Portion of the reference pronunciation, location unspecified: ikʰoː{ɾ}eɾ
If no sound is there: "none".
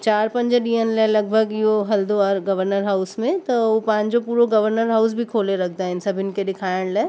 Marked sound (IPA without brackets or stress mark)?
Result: l